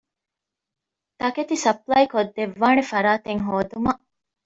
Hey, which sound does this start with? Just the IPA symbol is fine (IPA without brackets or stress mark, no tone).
t̪